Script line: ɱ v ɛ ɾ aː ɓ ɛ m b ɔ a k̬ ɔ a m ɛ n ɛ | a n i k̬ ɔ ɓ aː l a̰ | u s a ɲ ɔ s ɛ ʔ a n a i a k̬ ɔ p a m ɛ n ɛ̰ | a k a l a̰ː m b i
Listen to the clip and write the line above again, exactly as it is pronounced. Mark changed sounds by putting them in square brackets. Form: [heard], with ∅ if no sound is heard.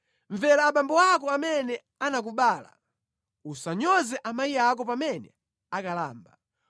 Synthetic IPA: ɱ v ɛ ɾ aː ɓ [a] m b ɔ a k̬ ɔ a m ɛ n ɛ | a n [a] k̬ [u] ɓ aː l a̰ | u s a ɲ ɔ [z] ɛ ʔ a [m] a i a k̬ ɔ p a m ɛ n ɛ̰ | a k a l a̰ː m b [a]